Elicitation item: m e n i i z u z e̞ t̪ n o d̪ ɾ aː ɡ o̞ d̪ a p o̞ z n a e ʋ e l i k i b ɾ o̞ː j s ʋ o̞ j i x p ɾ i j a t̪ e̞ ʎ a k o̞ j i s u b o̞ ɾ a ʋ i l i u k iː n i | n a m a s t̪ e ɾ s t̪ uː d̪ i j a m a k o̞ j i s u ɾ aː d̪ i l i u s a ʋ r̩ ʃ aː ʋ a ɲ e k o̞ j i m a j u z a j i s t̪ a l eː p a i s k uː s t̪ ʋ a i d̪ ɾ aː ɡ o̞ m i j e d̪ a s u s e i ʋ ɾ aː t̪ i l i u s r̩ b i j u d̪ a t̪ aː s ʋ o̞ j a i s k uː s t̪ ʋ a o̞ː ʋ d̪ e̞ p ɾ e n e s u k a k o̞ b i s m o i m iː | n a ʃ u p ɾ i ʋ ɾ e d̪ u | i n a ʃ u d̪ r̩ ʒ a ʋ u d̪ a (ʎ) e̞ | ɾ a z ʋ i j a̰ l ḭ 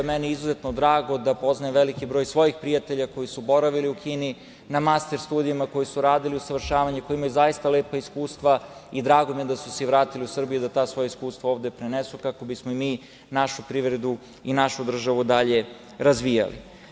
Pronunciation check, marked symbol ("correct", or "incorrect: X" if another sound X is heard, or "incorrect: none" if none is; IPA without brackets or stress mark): correct